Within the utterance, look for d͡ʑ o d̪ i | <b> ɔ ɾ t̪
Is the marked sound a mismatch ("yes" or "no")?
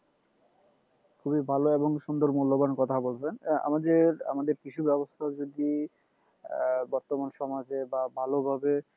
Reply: no